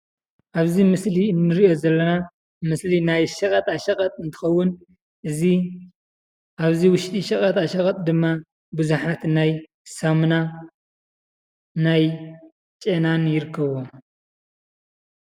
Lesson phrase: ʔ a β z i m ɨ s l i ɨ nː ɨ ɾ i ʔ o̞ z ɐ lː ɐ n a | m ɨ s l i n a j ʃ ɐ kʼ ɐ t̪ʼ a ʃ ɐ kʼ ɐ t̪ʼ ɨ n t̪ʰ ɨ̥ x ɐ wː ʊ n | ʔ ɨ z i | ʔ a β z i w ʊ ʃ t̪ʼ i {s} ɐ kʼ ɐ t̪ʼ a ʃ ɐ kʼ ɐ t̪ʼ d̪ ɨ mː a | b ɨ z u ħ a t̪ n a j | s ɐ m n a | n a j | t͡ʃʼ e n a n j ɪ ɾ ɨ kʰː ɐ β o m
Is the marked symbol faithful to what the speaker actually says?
no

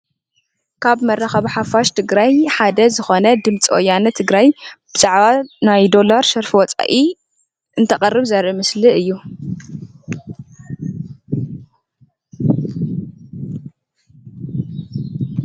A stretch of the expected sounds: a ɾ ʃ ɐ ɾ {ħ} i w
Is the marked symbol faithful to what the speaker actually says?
no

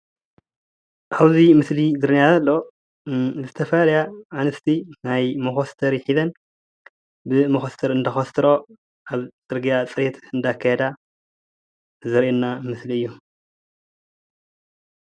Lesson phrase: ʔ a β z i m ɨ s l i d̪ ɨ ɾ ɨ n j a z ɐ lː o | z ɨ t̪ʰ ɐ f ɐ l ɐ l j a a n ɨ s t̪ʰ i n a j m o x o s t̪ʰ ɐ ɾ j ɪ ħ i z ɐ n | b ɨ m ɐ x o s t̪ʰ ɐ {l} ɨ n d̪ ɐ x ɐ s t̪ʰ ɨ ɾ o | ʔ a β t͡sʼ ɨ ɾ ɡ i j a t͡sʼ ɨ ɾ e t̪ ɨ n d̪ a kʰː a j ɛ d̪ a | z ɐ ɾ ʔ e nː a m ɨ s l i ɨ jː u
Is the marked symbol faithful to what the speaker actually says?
no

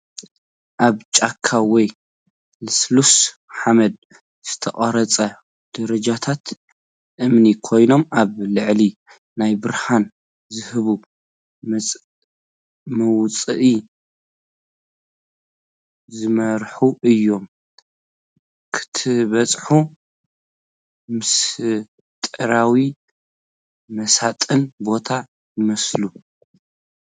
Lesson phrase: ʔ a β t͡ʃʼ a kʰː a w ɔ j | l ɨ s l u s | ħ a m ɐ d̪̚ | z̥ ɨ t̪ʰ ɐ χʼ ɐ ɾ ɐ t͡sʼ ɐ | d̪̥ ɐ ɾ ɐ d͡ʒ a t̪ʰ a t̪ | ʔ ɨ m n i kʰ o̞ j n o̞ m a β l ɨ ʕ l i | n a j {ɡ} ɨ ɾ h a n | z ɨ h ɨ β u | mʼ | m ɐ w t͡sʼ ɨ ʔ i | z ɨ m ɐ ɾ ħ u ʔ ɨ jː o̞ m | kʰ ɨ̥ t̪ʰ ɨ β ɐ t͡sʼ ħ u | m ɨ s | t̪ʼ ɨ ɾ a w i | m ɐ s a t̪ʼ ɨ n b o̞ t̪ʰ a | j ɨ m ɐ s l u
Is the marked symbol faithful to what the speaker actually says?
no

